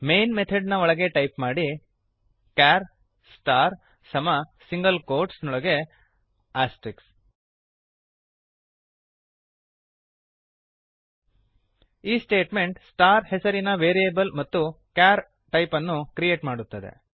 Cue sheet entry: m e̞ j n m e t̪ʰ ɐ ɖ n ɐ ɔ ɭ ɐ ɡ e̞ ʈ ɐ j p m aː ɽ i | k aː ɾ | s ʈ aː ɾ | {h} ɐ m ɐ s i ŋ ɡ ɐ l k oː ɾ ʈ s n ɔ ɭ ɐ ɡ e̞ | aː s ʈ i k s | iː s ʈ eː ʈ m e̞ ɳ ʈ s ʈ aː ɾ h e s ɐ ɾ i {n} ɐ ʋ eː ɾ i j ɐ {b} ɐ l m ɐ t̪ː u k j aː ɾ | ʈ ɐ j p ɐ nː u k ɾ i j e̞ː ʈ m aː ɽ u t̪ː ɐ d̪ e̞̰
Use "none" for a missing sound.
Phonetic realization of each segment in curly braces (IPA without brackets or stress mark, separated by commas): s, n, b